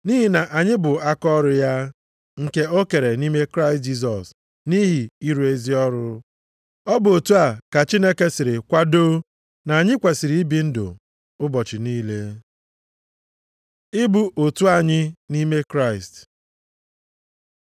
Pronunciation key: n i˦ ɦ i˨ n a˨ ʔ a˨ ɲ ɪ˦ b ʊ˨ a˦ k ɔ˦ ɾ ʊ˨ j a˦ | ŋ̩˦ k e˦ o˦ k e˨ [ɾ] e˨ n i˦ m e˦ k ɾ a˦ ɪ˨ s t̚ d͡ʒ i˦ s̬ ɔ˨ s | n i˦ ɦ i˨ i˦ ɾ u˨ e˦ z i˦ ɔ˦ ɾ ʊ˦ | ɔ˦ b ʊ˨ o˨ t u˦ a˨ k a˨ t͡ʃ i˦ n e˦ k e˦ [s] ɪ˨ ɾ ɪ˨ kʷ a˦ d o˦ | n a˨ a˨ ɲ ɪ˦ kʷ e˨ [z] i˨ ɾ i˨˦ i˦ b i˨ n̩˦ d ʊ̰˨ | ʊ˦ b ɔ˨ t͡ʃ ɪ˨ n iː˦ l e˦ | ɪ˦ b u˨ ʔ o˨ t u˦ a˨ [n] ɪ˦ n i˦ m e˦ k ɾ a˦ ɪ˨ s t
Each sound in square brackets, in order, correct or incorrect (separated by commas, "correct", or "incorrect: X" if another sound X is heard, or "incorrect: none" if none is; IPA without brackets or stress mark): correct, correct, incorrect: s, incorrect: ɲ